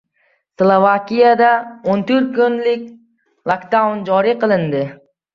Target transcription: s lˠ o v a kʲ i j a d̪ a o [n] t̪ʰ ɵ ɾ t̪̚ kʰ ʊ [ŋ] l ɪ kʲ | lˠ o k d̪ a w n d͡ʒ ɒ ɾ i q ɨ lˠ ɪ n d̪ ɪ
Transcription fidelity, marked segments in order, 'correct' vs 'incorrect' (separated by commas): correct, incorrect